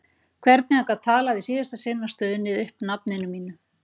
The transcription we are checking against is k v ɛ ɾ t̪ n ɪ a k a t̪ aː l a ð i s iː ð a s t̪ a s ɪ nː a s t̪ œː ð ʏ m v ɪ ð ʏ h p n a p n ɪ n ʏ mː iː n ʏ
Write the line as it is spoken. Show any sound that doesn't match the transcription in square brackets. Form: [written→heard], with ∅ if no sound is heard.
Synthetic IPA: [k→kʰ] v ɛ ɾ t̪ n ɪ a k a [t̪→t̪ʰ] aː l a ð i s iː ð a s t̪ a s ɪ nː a s t̪ œː ð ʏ [m→n] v ɪ ð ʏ h p n a p n ɪ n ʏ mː iː n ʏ